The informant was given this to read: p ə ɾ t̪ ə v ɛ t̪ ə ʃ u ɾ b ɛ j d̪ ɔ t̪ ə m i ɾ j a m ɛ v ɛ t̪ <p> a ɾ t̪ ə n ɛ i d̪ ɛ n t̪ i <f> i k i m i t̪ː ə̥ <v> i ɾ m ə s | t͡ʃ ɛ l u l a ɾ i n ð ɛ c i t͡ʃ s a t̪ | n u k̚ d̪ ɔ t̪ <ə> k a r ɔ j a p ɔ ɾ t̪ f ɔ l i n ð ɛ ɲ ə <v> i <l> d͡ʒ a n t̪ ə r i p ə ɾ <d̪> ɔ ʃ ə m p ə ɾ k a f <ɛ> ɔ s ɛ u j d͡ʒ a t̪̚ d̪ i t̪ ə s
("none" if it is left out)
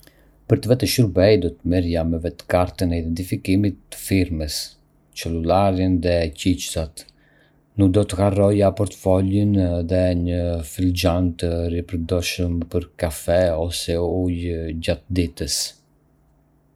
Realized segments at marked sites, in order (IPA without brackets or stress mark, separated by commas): k, f, f, ə, f, l, d̪, ɛ